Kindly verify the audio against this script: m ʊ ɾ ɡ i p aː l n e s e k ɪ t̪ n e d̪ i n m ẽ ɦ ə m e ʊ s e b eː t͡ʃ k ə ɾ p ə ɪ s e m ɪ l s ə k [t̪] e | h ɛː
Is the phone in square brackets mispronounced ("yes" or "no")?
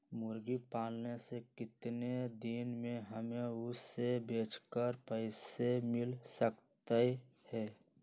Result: no